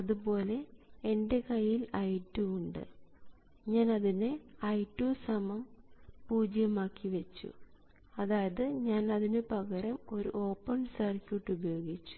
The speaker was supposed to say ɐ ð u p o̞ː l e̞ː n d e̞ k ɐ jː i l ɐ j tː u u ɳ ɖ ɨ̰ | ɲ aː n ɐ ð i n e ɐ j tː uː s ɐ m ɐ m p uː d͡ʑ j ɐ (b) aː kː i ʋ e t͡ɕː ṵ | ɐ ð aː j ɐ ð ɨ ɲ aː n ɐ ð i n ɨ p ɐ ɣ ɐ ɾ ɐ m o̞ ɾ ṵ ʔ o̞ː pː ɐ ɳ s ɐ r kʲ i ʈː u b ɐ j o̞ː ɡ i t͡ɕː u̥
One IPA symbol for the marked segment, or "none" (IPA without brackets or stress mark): m